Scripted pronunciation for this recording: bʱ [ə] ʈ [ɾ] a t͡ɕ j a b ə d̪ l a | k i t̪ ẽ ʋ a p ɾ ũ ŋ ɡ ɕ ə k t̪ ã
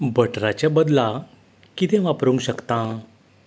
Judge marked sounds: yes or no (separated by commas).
yes, yes